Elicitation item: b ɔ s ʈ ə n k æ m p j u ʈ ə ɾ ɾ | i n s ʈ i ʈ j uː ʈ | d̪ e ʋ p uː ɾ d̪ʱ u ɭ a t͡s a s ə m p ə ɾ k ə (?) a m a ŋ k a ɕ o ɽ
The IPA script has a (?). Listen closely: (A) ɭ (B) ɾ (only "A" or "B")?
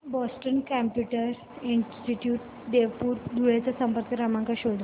B